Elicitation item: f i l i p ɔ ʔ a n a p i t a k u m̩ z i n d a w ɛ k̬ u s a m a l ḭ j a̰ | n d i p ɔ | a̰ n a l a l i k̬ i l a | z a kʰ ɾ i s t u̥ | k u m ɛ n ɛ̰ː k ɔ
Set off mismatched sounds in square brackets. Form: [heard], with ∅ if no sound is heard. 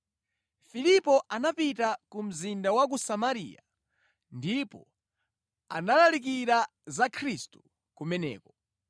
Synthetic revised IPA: f i l i p ɔ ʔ a n a p i t a k u m̩ z i n d a w [a] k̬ u s a m a [ɾ] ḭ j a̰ | n d i p ɔ | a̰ n a l a l i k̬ i [ɾ] a | z a kʰ ɾ i s t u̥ | k u m ɛ n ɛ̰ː k ɔ